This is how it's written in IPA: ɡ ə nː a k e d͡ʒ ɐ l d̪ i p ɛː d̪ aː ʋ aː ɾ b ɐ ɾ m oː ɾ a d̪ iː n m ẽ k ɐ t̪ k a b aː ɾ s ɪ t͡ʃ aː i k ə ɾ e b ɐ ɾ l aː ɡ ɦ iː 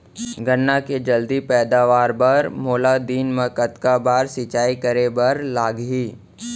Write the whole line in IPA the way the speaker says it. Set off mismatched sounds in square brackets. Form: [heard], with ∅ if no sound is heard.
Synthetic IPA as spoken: ɡ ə nː a k e d͡ʒ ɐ l d̪ i p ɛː d̪ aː ʋ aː ɾ b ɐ ɾ m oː [l] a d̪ iː n m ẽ k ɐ t̪ k a b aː ɾ s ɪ t͡ʃ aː i k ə ɾ e b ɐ ɾ l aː ɡ ɦ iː